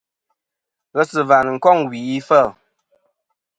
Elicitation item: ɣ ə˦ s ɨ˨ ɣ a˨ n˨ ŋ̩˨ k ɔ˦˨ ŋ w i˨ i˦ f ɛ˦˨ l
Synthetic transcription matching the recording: ɣ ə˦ s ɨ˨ v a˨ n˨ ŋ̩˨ k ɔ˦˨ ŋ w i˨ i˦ f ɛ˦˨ l